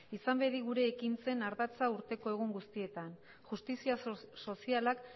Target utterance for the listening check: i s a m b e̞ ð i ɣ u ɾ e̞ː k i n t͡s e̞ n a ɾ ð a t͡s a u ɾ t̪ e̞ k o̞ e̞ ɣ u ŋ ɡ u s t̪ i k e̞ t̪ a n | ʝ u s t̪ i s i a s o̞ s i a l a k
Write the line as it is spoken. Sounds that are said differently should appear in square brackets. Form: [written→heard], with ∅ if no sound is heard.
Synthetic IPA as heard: i s a m b e̞ ð i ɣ u ɾ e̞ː k i n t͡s e̞ n a ɾ ð a t͡s a u ɾ t̪ e̞ k o̞ e̞ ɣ u ŋ ɡ u s t̪ i [k→∅] e̞ t̪ a n | ʝ u s t̪ i s i a s o̞ s i a l a k